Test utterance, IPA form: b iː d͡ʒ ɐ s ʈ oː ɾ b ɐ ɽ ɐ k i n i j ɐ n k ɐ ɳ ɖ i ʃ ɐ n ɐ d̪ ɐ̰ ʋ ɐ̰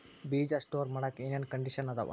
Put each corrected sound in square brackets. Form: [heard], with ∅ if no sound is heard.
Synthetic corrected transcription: b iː d͡ʒ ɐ s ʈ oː ɾ [m] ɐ ɽ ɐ k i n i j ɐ n k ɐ ɳ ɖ i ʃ ɐ n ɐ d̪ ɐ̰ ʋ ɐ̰